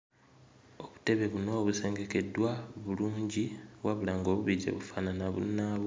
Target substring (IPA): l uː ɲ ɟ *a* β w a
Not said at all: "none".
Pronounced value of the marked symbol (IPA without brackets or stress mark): i